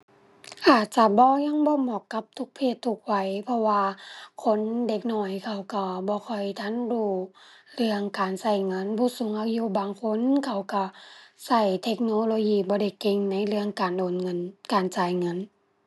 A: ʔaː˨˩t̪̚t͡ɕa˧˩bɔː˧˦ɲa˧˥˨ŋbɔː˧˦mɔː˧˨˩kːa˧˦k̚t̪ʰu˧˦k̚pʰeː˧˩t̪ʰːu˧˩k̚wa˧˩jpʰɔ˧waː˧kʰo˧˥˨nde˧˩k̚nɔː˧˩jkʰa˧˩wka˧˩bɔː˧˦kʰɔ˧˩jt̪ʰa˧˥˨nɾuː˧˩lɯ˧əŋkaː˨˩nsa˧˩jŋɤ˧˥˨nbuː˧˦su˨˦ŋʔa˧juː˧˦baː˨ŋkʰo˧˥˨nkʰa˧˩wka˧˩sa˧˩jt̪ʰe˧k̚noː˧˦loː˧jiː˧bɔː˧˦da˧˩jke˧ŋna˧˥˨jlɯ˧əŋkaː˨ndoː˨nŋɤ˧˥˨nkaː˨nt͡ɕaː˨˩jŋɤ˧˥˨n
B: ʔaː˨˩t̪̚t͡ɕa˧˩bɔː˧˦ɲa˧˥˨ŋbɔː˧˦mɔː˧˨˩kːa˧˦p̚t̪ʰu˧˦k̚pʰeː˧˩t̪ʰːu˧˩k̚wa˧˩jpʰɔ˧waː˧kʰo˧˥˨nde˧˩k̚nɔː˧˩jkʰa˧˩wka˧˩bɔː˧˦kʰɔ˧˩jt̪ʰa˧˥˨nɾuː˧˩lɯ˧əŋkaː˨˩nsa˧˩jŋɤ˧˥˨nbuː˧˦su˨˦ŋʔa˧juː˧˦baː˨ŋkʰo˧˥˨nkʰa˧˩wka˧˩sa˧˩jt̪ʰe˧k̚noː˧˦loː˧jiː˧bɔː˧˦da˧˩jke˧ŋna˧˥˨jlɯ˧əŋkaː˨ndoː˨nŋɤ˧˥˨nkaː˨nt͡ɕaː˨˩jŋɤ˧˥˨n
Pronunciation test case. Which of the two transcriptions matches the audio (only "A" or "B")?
B